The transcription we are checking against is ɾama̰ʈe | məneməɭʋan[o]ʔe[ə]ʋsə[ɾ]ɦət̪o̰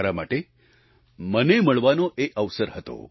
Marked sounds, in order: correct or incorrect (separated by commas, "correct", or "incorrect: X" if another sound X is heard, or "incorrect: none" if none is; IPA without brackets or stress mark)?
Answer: correct, correct, correct